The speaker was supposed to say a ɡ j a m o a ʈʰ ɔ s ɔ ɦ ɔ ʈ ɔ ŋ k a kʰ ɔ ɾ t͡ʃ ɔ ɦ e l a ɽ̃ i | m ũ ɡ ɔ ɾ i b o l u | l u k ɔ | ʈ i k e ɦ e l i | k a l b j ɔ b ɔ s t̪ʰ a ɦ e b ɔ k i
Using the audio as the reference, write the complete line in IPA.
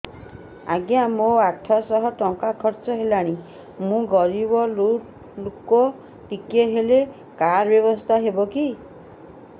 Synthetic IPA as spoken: a ɡ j a m o a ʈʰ ɔ s ɔ ɦ ɔ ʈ ɔ ŋ k a kʰ ɔ ɾ t͡ʃ ɔ ɦ e l a ɽ̃ i | m ũ ɡ ɔ ɾ i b ɔ l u | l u k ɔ | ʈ i k e ɦ e l e | k a ɾ b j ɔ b ɔ s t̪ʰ a ɦ e b ɔ k i